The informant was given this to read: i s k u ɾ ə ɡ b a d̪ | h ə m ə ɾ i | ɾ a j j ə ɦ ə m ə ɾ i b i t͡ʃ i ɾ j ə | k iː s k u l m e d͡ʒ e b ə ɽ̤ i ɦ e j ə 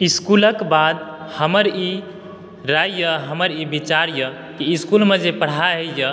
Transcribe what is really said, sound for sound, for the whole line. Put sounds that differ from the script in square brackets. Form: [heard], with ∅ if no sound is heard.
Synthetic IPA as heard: i s k u [l] ə [k] b a d̪ | h ə m ə ɾ i | ɾ a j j ə ɦ ə m ə ɾ i b i t͡ʃ [a] ɾ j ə | k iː s k u l m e d͡ʒ e [p] ə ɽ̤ [a] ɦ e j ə